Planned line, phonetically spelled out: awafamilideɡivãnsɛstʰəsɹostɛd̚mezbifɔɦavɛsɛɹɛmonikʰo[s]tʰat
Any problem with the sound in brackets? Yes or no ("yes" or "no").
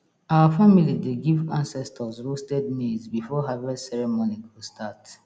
no